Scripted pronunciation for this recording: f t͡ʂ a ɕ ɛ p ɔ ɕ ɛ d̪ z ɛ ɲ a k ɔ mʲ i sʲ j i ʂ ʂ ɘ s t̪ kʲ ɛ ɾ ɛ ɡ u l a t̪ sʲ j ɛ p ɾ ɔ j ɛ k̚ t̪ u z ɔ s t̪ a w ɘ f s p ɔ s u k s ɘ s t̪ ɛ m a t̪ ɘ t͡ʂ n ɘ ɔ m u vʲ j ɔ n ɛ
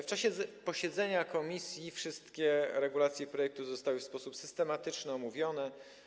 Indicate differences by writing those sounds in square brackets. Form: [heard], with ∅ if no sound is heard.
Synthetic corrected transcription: f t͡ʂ a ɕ ɛ p ɔ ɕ ɛ d̪ z ɛ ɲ a k ɔ mʲ i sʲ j i [f] ʂ ɘ s t̪ kʲ ɛ ɾ ɛ ɡ u l a t̪ sʲ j ɛ p ɾ ɔ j ɛ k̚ t̪ u z ɔ s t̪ a w ɘ f s p ɔ s u [p] s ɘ s t̪ ɛ m a t̪ ɘ t͡ʂ n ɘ ɔ m u vʲ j ɔ n ɛ